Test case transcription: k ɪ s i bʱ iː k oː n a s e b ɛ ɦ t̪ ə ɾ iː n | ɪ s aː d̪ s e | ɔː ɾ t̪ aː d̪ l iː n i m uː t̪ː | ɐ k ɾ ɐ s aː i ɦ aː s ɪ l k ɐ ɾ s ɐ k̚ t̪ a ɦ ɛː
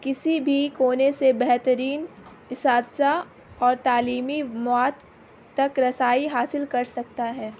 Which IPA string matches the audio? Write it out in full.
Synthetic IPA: k ɪ s i bʱ i k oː n e s e b ɛ ɦ t̪ ə ɾ iː n | ɪ s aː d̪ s a | ɔː ɾ t̪ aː l iː m i m ɔː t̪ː | ɐ k ɾ ɐ s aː i ɦ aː s ɪ l k ɐ ɾ s ɐ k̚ t̪ a ɦ ɛː